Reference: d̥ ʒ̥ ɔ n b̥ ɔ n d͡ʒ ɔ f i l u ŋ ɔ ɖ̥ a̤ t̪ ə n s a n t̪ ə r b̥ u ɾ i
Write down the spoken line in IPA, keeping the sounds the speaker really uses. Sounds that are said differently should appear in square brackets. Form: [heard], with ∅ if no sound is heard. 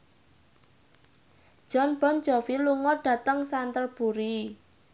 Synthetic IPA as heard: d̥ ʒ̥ ɔ n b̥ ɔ n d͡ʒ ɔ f i l u ŋ ɔ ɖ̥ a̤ t̪ ə [ŋ] s a n t̪ ə r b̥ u ɾ i